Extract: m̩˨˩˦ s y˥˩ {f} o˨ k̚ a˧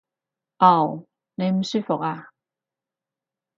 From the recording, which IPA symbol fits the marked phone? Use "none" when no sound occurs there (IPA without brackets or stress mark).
f